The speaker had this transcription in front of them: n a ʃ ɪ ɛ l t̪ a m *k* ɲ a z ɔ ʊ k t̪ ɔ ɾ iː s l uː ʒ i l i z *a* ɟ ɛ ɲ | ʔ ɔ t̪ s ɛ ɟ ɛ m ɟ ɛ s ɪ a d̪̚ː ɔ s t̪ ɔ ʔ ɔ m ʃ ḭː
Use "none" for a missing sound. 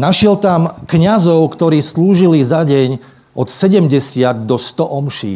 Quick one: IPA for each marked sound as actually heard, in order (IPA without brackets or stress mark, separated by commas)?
k, a